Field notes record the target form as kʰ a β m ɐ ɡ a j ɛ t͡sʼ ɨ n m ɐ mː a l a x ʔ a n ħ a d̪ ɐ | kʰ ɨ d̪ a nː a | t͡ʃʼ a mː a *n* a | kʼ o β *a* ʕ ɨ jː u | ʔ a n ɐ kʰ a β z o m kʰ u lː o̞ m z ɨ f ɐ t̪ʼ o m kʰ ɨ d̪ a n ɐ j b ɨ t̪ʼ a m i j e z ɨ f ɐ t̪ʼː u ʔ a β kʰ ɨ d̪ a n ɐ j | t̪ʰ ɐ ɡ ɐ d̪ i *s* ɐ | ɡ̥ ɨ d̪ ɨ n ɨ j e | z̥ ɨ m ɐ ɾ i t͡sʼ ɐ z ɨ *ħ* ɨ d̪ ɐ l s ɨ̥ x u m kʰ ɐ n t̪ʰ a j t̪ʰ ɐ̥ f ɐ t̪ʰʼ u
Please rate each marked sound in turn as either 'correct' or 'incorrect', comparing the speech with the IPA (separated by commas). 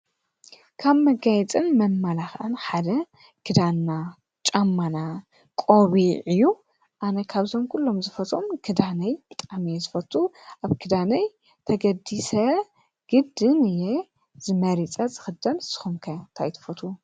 correct, incorrect, correct, incorrect